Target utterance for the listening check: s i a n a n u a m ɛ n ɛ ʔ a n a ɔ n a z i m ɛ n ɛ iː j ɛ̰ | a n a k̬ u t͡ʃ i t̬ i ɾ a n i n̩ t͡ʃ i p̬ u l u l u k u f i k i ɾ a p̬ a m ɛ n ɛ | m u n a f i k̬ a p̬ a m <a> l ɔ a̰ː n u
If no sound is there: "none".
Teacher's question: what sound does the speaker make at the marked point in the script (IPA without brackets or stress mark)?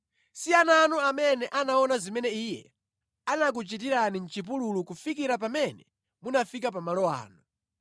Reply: a